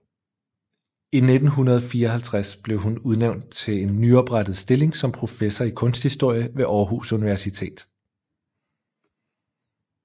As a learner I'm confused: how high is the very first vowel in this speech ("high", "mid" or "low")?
high